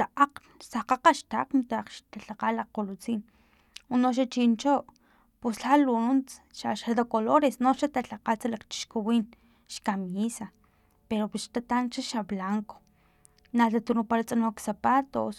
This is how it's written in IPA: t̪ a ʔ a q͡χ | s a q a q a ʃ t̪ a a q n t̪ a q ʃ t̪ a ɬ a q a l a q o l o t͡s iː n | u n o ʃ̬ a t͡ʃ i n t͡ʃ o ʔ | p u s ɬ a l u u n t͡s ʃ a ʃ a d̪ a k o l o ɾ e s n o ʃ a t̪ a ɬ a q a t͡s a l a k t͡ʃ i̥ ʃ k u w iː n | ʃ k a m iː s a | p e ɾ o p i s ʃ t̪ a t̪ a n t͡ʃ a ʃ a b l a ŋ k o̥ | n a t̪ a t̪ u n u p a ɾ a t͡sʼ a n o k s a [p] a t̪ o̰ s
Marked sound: correct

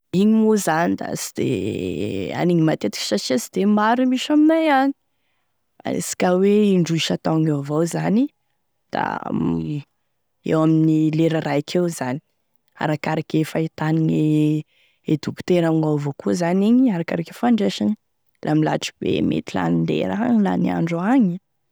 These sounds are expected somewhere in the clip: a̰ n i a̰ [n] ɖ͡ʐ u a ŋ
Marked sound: incorrect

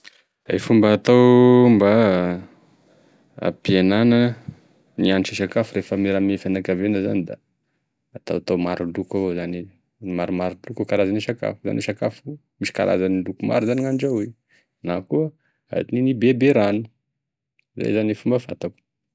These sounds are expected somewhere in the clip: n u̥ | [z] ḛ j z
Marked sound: correct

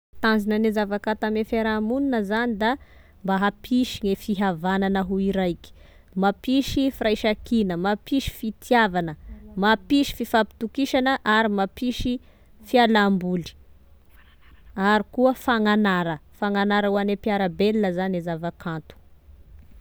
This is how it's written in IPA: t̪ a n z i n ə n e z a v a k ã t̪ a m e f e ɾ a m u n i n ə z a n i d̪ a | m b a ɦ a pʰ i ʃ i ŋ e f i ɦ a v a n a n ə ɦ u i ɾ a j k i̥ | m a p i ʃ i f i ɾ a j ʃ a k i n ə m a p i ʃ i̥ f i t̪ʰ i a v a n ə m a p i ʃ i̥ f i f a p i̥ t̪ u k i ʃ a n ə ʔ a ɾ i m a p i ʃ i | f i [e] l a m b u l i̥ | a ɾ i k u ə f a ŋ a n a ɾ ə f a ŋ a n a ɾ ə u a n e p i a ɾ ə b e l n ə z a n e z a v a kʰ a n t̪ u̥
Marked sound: incorrect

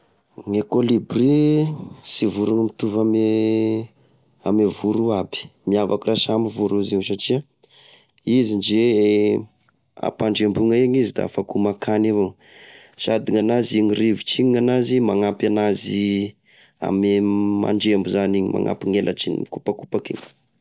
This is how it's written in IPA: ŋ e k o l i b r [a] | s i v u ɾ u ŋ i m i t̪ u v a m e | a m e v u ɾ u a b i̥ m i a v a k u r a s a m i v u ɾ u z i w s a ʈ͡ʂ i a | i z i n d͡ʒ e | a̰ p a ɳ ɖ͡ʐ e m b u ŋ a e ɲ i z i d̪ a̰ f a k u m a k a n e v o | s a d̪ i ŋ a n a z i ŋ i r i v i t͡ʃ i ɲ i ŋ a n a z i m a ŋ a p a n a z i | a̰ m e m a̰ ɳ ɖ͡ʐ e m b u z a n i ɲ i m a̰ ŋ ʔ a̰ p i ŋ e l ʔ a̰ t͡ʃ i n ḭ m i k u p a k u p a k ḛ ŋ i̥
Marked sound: incorrect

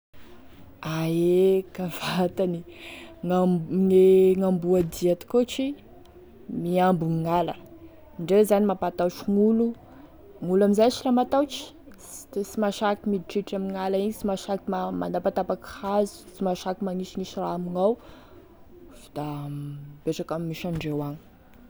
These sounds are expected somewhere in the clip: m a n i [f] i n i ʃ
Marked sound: incorrect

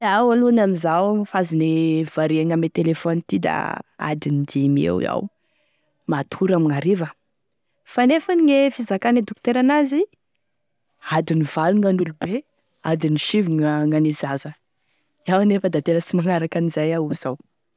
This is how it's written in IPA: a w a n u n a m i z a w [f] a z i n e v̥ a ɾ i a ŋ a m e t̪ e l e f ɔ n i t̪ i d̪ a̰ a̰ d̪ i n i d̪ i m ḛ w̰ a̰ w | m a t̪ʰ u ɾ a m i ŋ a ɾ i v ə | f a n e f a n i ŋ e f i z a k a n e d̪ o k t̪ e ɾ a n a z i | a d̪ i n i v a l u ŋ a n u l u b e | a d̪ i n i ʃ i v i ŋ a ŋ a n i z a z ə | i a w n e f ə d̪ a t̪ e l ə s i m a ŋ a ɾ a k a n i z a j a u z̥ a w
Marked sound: correct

